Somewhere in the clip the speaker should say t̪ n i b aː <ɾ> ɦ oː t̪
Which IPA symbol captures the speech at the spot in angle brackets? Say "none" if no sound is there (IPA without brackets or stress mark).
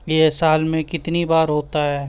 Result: ɾ